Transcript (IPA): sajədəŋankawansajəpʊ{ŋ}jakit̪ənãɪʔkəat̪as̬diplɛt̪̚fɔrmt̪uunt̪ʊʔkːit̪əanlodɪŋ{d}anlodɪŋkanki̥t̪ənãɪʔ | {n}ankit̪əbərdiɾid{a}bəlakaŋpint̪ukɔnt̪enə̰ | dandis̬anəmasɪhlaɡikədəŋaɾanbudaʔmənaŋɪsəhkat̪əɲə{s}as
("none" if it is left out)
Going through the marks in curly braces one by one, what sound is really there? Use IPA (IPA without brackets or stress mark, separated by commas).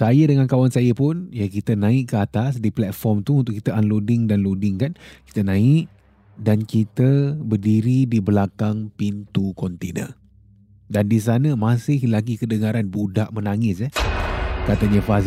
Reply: n, d, d, i, f